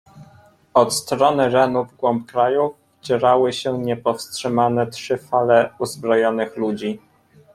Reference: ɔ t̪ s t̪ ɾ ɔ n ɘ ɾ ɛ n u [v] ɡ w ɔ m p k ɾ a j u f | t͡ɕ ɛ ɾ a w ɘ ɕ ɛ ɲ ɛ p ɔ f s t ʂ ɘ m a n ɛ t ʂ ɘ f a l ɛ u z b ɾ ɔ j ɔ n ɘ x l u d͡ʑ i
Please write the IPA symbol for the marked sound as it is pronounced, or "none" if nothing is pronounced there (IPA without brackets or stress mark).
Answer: v